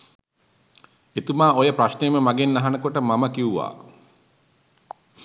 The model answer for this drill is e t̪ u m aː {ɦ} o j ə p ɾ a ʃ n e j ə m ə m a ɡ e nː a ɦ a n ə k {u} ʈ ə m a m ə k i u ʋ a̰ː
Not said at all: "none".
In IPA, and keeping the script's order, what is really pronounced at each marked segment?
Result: none, o

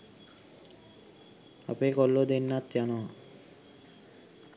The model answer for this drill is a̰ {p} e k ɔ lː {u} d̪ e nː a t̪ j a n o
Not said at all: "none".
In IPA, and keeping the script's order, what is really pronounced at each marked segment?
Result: p, o

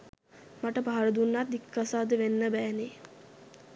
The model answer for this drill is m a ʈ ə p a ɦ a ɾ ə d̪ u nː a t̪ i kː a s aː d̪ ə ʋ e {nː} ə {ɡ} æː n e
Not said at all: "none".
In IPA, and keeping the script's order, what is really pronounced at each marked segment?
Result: nː, b

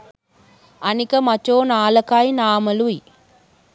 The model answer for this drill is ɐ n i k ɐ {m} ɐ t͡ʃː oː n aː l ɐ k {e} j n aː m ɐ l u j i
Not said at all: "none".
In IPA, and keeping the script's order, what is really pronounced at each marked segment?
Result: m, a

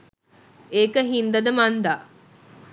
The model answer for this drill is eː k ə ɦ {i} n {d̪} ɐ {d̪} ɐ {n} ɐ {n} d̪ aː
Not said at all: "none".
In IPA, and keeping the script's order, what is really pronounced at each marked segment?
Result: i, d̪, d̪, m, n

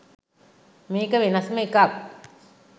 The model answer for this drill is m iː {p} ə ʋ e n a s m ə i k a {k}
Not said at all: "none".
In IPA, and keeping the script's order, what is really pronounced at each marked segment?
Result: k, k

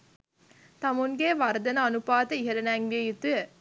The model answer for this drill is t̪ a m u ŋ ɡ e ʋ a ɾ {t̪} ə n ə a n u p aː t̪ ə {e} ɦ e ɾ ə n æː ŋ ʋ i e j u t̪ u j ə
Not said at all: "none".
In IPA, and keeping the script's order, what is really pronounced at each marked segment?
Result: d̪, i

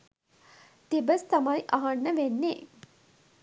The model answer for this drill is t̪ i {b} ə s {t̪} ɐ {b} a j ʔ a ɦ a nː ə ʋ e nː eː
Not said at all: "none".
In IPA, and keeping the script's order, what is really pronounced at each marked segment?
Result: b, t̪, m

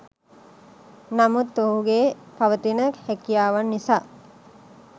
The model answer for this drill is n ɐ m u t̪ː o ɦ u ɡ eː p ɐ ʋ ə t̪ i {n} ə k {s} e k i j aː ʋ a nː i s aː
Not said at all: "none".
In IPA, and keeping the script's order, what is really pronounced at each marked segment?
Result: n, h

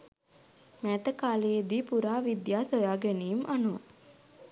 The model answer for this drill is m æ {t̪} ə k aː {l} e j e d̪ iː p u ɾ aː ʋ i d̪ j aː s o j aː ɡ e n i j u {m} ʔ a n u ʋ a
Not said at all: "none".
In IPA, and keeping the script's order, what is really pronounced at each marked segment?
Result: t̪, l, m

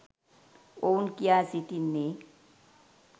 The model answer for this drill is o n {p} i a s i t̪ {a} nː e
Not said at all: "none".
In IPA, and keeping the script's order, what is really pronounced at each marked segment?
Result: k, i

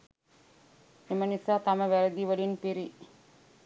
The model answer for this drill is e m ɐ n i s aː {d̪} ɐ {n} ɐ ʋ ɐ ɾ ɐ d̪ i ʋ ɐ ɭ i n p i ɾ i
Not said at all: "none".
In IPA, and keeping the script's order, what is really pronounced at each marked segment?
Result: t̪, m

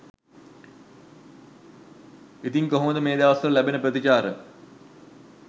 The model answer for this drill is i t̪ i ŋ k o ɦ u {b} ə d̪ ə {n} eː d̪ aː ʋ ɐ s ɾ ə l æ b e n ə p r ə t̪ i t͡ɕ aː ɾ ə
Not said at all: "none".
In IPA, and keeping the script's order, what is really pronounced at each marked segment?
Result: m, m

